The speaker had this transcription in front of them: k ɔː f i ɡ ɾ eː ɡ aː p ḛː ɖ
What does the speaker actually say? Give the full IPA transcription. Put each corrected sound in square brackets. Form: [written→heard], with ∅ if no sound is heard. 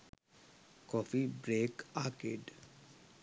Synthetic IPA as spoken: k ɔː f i [ɡ→b] ɾ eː [ɡ→k] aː [p→k] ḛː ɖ